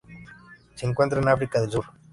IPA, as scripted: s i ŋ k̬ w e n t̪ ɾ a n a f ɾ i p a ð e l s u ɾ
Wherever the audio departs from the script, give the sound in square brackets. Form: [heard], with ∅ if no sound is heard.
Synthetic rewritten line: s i ŋ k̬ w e n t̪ ɾ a n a f ɾ i [k] a ð e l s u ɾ